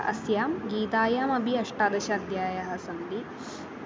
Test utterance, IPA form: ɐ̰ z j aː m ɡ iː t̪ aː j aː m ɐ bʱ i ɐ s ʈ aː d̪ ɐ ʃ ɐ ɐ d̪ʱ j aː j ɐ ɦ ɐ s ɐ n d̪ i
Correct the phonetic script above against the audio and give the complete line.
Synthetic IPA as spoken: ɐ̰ s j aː m ɡ iː t̪ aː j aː m ɐ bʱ i ɐ ʂ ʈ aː d̪ ɐ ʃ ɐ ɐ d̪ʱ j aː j ɐ ɦ ɐ s ɐ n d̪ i